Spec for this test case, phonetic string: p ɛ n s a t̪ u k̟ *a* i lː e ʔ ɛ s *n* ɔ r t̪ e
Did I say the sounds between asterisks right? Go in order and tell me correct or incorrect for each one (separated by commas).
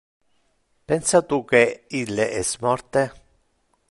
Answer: incorrect, incorrect